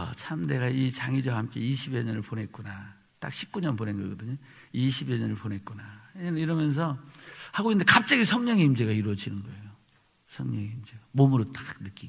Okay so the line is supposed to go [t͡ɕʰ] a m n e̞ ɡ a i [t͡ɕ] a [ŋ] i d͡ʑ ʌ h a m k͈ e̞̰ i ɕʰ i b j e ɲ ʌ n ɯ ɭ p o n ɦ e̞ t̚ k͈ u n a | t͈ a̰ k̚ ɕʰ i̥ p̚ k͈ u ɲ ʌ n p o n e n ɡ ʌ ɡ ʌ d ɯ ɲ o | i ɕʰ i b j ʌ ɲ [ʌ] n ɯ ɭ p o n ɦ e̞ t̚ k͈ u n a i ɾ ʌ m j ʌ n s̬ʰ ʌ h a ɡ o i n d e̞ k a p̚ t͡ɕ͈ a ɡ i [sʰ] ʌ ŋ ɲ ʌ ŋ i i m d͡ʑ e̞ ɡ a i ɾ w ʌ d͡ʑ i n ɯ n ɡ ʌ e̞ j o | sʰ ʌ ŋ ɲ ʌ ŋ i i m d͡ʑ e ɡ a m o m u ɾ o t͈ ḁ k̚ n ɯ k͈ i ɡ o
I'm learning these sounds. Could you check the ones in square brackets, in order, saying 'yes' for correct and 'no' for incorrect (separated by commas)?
yes, yes, yes, yes, yes